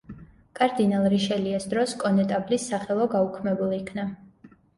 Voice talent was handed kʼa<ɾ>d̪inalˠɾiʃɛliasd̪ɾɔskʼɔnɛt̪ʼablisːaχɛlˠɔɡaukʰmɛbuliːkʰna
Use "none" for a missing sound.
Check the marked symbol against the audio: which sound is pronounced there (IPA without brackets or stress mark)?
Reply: ɾ